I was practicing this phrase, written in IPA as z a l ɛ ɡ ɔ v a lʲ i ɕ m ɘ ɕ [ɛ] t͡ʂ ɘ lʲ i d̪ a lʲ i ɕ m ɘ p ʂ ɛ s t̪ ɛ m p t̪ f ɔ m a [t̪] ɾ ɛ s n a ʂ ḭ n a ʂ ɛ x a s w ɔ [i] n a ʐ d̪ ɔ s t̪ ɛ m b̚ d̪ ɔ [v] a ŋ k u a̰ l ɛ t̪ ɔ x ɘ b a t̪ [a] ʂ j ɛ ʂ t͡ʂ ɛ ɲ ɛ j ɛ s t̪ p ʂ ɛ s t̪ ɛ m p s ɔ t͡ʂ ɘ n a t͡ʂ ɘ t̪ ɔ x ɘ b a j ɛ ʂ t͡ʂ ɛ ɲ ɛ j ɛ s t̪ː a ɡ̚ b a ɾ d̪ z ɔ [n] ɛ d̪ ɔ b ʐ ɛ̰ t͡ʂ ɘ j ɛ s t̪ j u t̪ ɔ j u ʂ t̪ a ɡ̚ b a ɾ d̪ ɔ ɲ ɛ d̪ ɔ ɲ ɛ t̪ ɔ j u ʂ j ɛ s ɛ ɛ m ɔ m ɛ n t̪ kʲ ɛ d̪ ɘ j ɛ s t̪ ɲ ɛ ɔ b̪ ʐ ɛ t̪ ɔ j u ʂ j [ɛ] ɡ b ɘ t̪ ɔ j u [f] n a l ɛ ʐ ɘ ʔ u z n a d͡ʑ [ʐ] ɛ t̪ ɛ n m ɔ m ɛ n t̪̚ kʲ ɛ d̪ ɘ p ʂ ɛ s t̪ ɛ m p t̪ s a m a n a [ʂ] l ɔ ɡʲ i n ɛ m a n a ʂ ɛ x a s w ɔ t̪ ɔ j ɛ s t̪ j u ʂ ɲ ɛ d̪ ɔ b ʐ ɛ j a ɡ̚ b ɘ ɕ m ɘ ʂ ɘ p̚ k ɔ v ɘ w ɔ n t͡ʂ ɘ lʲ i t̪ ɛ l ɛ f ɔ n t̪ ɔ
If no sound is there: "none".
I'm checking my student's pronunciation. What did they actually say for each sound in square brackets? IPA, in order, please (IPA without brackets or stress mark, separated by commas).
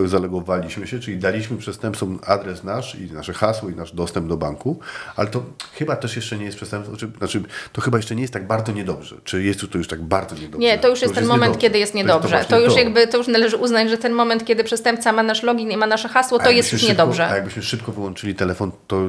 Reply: ɛ, d̪, i, b, ɛ, ɲ, a, ʂ, ʐ, ʂ